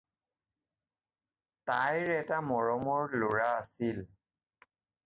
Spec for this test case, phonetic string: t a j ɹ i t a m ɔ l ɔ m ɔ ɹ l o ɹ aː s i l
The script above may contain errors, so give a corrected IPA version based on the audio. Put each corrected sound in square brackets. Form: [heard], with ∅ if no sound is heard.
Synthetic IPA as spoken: t a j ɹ [ɛ] t a m ɔ [ɹ] ɔ m ɔ ɹ l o ɹ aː s i l